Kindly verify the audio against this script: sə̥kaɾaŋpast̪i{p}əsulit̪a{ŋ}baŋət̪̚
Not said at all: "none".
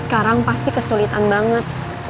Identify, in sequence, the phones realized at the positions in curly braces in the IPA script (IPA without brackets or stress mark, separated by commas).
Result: k, n